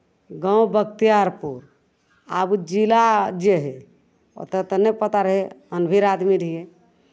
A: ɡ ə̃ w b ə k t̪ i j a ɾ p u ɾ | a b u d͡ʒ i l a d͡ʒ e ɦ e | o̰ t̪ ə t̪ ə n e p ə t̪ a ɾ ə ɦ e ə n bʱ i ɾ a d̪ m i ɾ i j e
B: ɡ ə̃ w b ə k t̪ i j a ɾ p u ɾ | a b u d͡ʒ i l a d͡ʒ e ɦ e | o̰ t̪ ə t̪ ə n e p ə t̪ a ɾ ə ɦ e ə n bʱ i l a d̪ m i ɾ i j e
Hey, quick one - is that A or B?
A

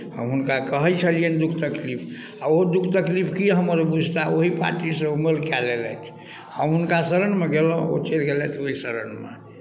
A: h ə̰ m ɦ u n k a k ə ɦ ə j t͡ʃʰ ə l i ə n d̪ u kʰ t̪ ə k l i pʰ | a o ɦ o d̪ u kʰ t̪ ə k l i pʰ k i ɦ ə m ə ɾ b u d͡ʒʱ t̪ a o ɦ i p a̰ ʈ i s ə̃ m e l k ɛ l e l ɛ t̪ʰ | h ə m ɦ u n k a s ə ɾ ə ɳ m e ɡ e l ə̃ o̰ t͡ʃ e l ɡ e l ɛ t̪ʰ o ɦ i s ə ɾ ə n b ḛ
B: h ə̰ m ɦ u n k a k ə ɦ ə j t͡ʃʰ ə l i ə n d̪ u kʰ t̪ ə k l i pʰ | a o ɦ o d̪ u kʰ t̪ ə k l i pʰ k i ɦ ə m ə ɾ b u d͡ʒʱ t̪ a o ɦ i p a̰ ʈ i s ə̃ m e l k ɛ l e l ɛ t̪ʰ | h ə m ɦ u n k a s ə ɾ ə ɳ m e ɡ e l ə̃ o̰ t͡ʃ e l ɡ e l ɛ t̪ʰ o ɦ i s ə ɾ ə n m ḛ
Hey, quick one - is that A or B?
B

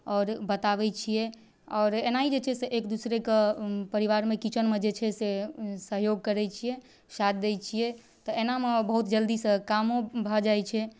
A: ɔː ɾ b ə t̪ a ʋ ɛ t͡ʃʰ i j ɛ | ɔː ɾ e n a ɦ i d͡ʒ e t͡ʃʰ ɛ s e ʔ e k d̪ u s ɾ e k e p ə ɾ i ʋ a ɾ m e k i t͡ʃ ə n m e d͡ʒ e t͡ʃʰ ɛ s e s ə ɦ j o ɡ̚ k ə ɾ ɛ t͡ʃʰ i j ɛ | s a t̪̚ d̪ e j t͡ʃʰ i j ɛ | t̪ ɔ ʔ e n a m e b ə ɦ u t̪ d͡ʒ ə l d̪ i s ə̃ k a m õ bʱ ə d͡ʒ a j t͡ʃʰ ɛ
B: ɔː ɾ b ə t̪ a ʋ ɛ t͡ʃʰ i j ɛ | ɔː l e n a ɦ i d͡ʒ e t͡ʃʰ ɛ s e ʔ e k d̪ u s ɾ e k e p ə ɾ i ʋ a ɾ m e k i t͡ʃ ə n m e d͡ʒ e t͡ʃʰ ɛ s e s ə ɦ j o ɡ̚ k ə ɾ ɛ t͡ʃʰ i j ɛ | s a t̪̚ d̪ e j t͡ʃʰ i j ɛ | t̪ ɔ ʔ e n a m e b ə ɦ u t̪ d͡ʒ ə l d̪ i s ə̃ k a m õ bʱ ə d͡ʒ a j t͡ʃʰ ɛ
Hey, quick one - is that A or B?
A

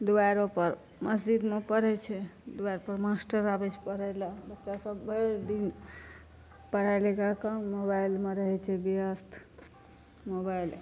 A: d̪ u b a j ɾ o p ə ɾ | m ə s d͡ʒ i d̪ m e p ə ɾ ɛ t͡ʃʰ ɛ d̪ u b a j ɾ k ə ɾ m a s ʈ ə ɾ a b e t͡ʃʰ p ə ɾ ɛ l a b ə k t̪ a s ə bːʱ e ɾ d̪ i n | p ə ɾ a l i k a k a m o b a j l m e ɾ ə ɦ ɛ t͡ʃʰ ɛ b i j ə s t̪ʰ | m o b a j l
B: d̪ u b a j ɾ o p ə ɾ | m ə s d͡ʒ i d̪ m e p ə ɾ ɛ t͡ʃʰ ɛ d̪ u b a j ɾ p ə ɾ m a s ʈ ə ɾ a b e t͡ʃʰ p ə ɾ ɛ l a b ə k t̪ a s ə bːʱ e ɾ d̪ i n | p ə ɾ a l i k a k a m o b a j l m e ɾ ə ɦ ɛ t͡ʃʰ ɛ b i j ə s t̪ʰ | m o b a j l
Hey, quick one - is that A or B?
B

